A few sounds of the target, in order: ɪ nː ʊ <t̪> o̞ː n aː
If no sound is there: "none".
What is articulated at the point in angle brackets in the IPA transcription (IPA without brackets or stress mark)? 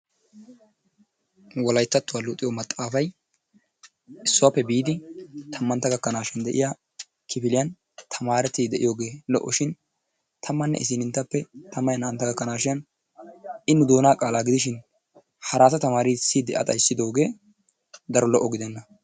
d̪